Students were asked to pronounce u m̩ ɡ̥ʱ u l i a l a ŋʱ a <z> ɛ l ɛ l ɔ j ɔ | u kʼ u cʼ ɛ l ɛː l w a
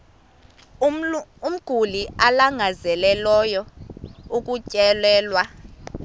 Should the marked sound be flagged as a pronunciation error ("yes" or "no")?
no